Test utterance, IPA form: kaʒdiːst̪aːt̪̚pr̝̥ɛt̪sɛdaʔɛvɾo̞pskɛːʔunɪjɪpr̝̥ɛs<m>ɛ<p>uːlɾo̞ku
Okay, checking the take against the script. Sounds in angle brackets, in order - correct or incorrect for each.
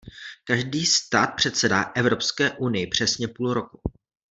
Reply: incorrect: ɲ, correct

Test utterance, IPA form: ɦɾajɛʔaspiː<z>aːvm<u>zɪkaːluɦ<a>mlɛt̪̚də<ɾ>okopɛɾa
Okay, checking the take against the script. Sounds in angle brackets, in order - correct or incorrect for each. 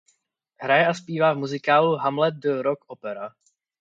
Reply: incorrect: v, correct, correct, correct

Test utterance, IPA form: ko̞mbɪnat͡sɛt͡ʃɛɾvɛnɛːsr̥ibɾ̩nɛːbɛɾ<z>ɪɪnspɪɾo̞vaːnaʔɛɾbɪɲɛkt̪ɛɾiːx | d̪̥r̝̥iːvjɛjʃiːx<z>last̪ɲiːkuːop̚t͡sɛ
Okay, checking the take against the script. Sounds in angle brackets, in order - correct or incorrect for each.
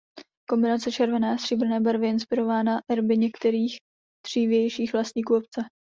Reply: incorrect: v, incorrect: v

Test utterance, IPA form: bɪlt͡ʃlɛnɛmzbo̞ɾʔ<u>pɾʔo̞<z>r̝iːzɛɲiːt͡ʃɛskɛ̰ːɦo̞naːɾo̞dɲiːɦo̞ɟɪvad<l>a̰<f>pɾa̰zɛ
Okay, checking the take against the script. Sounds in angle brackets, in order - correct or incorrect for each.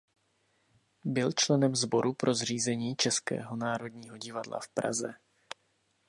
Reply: correct, correct, correct, correct

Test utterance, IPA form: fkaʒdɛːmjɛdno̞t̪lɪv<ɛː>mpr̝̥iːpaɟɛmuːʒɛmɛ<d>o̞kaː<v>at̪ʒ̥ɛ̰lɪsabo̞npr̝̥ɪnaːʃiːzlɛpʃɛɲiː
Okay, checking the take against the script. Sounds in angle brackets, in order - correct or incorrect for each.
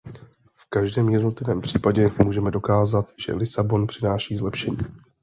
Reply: correct, correct, incorrect: z

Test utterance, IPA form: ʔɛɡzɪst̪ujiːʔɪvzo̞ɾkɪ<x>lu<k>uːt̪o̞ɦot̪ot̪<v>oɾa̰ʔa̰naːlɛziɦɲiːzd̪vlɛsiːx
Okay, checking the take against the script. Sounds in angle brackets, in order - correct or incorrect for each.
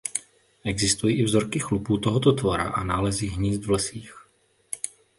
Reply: correct, incorrect: p, correct

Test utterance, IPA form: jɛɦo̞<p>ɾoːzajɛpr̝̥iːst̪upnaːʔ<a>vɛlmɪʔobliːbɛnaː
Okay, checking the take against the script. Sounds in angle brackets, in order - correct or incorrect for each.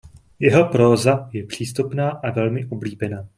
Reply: correct, correct

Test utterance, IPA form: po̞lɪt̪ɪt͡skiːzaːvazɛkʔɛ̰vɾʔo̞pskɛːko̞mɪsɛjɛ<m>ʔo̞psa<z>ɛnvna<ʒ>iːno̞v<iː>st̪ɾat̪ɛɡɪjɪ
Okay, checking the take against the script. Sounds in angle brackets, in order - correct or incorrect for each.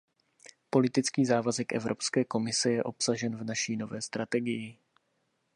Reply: incorrect: none, incorrect: ʒ, incorrect: ʃ, incorrect: ɛː

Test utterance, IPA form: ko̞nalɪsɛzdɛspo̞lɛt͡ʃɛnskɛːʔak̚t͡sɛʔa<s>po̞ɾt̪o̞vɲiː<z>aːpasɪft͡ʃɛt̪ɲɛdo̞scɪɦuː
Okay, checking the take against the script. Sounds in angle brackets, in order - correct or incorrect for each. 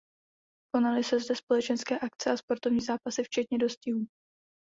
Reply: correct, correct

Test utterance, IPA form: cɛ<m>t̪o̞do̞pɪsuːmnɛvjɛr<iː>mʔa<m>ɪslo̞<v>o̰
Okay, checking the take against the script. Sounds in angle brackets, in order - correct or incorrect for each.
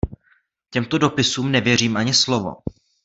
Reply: correct, correct, incorrect: ɲ, correct

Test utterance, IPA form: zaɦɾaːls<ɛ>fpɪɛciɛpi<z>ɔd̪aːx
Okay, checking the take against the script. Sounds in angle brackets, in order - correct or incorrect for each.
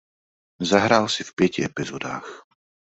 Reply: incorrect: i, correct

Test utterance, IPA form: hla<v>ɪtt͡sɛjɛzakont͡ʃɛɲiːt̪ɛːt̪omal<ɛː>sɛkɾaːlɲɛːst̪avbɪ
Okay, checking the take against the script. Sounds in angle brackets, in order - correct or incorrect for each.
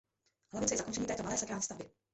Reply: correct, correct

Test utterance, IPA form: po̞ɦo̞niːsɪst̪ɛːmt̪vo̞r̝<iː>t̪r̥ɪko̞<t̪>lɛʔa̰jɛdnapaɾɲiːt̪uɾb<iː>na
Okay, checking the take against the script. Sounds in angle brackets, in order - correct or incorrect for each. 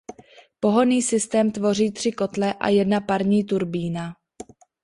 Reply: correct, correct, correct

